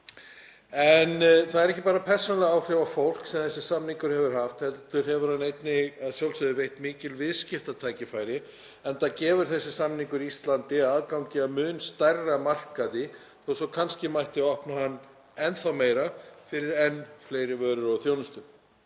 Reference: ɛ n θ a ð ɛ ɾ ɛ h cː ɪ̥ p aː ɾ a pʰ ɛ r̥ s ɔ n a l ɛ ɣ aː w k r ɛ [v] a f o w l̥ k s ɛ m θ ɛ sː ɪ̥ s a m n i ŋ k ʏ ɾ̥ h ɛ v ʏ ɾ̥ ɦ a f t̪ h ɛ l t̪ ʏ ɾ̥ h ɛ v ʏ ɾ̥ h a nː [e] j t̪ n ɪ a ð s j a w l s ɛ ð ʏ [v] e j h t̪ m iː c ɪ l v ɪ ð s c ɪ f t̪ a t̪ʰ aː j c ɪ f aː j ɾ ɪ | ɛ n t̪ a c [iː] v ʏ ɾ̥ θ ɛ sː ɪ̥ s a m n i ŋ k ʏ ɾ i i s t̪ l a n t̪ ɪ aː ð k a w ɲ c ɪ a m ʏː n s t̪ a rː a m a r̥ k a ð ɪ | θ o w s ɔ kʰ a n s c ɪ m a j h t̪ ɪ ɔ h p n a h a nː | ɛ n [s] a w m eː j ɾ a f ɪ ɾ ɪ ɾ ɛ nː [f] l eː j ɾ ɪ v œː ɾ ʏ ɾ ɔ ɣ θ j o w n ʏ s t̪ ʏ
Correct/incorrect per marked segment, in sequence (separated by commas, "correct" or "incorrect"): correct, correct, correct, incorrect, incorrect, correct